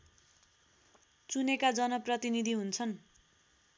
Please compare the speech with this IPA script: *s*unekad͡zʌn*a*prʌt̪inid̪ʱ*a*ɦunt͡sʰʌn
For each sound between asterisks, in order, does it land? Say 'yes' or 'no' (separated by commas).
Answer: no, no, no